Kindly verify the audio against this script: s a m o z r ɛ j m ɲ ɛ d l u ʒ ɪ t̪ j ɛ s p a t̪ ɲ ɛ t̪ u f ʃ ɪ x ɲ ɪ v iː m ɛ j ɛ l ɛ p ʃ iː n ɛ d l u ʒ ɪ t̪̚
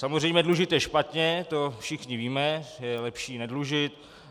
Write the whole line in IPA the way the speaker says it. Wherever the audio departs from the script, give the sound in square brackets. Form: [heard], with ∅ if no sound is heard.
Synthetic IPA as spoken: s a m o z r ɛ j m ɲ ɛ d l u ʒ ɪ t̪ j ɛ [ʃ] p a t̪ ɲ ɛ t̪ [o] f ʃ ɪ x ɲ ɪ v iː m ɛ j ɛ l ɛ p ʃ iː n ɛ d l u ʒ ɪ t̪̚